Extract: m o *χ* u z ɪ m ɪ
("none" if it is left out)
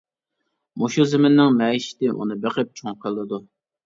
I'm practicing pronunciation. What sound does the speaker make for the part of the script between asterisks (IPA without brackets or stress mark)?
ʃ